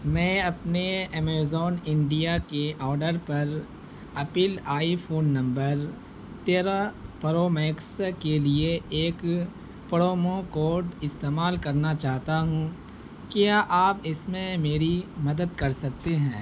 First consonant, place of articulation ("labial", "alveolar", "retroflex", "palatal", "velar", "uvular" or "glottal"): labial